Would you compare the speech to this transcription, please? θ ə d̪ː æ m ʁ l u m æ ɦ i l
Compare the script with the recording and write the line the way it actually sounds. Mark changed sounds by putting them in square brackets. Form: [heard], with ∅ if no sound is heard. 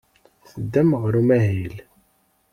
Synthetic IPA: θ ə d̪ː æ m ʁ [ɾ] u m æ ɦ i l

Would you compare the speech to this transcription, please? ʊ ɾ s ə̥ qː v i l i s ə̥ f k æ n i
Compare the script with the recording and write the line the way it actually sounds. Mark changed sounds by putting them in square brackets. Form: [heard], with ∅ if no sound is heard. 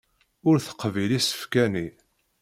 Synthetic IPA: ʊ ɾ [θ] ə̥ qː v i l i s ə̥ f k æ n i

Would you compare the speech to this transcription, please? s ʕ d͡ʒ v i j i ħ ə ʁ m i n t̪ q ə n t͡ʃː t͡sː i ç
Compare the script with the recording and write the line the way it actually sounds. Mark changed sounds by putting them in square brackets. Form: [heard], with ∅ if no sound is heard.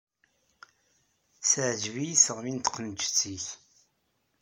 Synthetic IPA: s ʕ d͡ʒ v i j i [s] ə ʁ m i n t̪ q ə n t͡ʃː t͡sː i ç

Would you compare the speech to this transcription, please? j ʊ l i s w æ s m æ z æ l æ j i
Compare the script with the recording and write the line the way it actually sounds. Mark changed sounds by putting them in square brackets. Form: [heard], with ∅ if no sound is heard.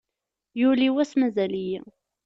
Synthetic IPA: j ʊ l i [∅] w æ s m æ z æ l [i] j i

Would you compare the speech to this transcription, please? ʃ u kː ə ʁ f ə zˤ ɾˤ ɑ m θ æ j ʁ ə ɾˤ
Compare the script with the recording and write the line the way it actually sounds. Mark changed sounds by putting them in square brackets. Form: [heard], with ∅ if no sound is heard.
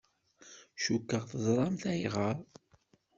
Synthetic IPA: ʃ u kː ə ʁ [θ] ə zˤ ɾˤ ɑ m θ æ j ʁ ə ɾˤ

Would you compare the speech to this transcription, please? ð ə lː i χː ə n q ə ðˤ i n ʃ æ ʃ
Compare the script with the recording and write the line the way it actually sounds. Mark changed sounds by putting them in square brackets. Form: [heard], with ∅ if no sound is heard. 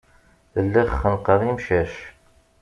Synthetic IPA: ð ə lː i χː ə n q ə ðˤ i [m] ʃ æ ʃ

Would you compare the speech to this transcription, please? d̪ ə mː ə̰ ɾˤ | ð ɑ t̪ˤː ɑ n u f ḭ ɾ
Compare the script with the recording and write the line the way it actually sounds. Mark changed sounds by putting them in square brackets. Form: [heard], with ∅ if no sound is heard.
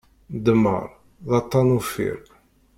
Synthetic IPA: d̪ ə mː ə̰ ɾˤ | ð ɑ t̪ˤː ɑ n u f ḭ ɾ

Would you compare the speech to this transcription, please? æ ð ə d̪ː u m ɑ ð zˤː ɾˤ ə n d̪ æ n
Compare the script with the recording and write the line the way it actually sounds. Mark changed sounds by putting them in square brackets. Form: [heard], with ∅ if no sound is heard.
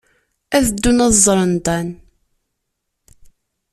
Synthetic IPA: æ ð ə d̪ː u [n] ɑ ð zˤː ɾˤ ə n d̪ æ n

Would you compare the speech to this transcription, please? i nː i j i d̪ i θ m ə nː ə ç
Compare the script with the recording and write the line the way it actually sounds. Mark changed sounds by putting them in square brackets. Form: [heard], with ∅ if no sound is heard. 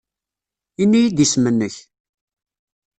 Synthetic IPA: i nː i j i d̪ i [s] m ə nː ə ç

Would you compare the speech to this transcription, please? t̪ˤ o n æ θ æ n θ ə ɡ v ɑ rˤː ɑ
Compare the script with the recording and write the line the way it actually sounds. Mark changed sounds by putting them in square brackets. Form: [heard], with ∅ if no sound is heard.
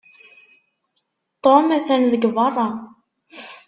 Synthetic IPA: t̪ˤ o [m] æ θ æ n [ð] ə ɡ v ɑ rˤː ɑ

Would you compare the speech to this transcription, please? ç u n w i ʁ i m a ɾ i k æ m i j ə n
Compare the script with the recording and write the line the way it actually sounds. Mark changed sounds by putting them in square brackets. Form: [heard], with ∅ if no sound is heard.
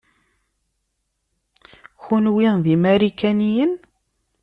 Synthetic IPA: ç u n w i [ð] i m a ɾ i k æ [n] i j ə n

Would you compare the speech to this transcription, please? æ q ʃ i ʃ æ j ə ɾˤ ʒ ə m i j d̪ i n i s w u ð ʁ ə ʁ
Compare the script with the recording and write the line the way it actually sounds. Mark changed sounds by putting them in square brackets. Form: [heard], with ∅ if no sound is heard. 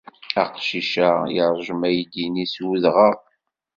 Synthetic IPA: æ q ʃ i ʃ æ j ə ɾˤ ʒ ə m [æ] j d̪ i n i s w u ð ʁ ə ʁ

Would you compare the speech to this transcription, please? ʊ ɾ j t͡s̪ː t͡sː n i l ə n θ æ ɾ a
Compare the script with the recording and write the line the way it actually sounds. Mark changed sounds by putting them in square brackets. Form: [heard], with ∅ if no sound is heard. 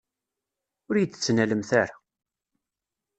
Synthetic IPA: ʊ ɾ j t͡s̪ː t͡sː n [æ] l ə [m] θ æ ɾ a

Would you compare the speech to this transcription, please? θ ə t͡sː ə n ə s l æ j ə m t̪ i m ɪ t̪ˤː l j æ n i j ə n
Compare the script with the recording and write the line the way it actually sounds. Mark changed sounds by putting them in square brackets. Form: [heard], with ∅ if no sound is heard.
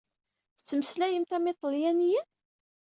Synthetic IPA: θ ə t͡sː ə [m] ə s l æ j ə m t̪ [æ] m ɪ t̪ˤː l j æ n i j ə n

